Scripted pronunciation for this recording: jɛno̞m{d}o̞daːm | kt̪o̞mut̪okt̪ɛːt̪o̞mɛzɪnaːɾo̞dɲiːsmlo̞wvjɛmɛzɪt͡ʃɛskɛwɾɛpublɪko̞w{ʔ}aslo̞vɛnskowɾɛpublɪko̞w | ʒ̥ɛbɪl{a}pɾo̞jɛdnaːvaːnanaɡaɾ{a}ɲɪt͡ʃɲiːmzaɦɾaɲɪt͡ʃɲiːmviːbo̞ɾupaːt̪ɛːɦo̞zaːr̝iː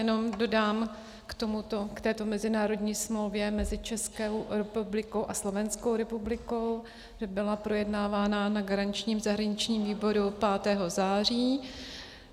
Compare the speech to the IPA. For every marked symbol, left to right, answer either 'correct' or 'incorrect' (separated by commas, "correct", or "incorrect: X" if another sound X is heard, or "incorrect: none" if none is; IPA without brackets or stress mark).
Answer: correct, correct, correct, correct